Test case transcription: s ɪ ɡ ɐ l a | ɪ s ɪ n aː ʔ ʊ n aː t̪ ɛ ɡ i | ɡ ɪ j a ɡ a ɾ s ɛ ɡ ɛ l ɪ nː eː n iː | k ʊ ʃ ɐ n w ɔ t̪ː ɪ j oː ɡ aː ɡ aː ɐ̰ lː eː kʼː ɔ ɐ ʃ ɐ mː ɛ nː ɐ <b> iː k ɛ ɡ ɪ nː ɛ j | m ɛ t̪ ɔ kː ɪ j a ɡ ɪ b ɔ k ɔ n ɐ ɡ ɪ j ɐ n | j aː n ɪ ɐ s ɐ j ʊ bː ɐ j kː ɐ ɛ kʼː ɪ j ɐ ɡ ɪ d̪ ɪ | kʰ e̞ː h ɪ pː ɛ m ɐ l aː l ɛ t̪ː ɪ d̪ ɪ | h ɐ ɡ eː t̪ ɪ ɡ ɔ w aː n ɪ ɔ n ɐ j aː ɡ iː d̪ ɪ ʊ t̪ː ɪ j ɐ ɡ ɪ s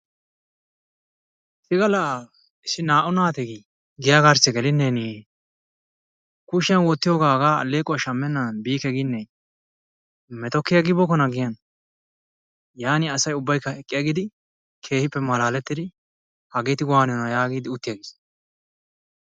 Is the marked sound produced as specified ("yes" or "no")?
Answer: yes